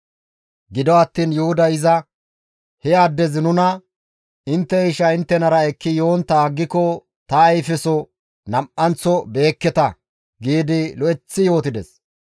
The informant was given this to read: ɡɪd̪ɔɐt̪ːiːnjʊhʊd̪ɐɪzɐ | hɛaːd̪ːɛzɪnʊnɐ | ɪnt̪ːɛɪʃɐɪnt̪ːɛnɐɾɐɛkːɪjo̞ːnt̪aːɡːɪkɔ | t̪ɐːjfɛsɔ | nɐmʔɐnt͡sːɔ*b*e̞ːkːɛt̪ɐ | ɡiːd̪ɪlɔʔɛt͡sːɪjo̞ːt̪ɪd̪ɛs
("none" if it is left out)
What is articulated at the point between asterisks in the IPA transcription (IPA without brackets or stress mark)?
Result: b